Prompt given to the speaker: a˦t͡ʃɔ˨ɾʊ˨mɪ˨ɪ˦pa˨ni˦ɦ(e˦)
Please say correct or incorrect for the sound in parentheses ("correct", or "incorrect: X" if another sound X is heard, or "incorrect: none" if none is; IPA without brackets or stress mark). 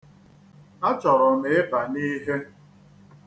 correct